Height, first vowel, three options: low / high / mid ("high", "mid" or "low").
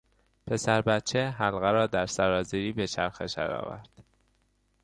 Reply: mid